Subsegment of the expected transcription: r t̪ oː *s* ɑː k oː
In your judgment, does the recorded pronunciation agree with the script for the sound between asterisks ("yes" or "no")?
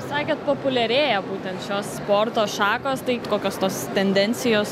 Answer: no